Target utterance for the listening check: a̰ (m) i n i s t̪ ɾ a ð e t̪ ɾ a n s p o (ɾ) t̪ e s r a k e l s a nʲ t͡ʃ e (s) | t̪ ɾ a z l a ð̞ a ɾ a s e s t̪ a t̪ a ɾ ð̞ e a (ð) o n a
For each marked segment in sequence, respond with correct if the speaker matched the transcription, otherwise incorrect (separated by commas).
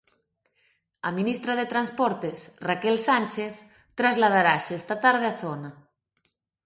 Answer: correct, correct, incorrect, incorrect